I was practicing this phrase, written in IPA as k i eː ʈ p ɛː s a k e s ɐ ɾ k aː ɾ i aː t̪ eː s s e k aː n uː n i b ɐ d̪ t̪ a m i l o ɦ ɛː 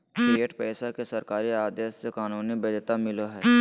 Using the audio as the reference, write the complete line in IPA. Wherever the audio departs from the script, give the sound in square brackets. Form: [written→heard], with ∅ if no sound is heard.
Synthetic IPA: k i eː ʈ p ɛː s a k e s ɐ ɾ k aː ɾ i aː [t̪→d̪] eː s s e k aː n uː n i b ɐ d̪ t̪ a m [i→ɪ] l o ɦ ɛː